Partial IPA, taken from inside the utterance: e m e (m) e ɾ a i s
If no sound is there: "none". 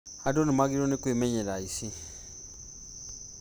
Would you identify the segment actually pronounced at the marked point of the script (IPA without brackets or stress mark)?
ɲ